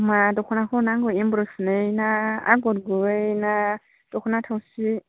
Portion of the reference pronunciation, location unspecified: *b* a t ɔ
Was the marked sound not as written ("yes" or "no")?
yes